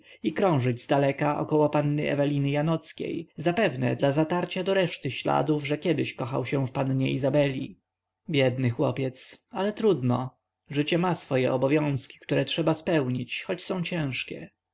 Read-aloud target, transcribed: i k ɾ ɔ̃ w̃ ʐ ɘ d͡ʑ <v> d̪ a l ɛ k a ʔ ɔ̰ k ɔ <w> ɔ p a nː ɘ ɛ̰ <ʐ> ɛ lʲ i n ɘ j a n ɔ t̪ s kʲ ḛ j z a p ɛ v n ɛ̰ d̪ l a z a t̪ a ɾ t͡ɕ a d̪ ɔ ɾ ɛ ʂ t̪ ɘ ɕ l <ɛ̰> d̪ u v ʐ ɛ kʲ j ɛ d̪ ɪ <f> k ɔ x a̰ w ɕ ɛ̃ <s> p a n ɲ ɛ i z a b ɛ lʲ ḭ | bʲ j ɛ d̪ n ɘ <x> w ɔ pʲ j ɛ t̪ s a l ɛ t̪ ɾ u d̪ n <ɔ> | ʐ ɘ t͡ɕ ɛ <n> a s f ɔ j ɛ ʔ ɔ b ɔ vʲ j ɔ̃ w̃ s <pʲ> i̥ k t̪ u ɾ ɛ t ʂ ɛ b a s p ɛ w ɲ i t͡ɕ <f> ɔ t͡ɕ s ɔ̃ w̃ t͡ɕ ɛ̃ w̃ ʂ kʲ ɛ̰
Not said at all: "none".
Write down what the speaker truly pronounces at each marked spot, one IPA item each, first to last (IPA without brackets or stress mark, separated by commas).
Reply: z, w, v, a̰, ɕ, f, x, ɔ, m, kʲ, x